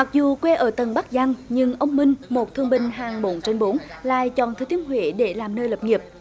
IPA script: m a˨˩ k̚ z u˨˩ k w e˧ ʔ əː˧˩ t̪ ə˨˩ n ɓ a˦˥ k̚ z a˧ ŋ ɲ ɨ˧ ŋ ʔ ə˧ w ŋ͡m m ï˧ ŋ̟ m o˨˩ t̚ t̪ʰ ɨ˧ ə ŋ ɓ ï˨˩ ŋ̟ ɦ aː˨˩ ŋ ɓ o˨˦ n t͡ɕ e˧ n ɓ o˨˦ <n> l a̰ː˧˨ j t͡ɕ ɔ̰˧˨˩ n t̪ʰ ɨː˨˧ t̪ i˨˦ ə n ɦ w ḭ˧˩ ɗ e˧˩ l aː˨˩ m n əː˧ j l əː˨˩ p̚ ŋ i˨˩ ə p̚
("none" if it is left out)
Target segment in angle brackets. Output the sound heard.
n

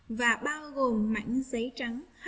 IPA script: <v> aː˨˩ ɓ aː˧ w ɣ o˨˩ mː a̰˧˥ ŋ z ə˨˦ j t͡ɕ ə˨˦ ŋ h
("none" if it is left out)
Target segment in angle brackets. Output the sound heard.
v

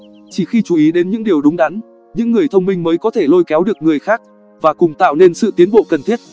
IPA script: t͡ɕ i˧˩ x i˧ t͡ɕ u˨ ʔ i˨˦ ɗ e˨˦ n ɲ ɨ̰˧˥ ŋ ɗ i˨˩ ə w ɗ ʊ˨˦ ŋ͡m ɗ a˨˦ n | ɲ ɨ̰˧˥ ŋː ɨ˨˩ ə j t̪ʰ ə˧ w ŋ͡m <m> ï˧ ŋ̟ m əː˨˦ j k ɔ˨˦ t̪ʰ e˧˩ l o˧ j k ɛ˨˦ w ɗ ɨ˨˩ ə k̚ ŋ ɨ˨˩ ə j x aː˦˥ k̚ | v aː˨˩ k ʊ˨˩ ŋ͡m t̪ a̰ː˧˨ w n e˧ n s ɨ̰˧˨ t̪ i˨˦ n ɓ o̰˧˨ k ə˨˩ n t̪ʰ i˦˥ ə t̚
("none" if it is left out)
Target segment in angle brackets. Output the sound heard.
m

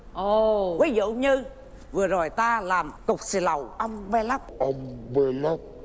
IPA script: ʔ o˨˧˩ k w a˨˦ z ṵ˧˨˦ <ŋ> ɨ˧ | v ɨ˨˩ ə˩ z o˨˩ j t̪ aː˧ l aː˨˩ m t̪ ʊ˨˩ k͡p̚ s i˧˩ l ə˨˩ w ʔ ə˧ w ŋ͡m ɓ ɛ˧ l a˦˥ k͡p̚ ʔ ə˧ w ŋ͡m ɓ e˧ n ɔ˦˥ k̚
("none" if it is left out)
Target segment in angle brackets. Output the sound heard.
ɲ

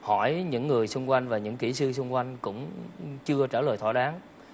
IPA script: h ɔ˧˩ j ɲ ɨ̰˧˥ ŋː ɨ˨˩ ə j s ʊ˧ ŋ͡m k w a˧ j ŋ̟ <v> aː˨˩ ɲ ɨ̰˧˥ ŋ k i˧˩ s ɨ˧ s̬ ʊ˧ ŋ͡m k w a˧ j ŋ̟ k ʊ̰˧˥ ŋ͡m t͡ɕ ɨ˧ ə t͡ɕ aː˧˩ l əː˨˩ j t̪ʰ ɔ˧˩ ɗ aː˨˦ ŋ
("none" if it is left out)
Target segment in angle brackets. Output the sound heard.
v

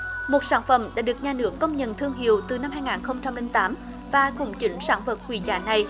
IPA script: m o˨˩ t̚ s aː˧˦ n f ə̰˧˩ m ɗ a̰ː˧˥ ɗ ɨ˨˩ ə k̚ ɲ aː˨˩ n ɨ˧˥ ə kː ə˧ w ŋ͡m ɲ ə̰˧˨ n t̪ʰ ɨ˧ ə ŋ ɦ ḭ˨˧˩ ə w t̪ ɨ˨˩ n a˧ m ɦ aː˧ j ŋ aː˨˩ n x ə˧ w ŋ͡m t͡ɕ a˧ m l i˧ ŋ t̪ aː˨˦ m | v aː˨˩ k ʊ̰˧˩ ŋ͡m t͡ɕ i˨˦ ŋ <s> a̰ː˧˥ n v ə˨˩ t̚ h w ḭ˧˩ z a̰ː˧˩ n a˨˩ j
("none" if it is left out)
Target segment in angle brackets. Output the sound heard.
s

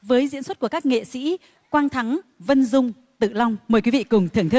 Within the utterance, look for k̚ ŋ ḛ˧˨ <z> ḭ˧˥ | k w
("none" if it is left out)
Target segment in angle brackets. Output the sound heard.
s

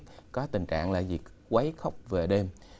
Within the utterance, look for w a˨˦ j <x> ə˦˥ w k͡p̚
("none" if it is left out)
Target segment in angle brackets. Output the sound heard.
x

